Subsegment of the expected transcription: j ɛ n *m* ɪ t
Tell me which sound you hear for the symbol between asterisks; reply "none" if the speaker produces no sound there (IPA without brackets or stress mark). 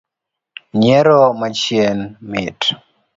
m